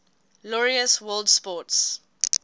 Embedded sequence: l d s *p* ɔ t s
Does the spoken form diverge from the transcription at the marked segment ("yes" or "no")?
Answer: no